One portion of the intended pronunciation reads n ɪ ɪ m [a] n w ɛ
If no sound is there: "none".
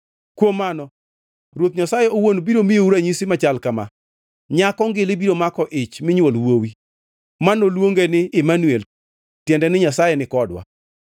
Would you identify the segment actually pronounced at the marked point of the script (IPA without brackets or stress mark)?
a